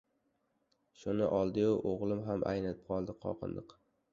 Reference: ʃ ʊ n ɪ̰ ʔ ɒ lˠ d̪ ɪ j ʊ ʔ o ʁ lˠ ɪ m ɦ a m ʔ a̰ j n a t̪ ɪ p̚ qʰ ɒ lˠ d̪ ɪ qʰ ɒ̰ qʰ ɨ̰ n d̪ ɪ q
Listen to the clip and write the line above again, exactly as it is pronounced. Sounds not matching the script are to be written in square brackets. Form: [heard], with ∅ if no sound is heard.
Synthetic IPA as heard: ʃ ʊ n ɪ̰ ʔ ɒ lˠ d̪ ɪ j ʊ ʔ o ʁ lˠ ɪ m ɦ a m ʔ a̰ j n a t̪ ɪ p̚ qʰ ɒ lˠ d̪ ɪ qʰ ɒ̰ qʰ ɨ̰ n d̪ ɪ q